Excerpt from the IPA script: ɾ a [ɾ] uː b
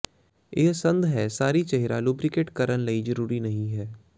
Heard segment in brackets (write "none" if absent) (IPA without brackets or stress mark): l